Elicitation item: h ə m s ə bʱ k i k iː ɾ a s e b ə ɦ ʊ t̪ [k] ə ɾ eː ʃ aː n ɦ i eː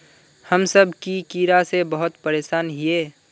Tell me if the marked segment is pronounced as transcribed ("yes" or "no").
no